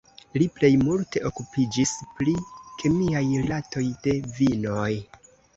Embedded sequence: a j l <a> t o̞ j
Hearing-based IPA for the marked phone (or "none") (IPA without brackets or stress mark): a